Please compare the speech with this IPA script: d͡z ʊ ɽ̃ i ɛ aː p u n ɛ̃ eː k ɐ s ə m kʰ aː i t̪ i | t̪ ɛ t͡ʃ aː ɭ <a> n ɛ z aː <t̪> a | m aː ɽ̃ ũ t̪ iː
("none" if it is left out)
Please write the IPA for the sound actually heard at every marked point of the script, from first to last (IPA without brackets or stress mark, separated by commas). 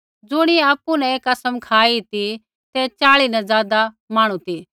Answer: i, d̪